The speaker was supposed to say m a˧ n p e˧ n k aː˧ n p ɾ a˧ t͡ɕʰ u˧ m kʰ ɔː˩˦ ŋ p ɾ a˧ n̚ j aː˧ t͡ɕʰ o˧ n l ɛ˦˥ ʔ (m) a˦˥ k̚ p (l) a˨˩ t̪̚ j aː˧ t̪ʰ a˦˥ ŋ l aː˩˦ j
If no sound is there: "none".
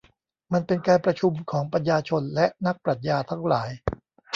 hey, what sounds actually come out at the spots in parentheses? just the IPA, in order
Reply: n, ɾ

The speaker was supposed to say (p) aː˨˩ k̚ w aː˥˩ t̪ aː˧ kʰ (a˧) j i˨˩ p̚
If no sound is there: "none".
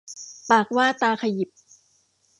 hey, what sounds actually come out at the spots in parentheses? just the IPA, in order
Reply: p, a˧

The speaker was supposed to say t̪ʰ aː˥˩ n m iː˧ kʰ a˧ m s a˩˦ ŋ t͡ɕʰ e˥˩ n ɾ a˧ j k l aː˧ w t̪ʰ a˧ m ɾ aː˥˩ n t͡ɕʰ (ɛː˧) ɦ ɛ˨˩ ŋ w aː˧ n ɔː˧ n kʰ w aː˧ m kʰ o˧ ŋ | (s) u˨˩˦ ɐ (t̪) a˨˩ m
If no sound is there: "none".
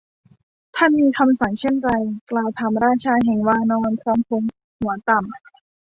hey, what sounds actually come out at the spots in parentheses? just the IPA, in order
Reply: aː˧, h, t̪

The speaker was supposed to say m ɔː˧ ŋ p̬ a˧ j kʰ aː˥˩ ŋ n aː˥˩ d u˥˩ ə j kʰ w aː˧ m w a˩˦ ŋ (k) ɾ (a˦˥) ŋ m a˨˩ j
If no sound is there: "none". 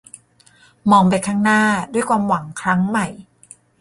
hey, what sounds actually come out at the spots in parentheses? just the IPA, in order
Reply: kʰ, a˦˥

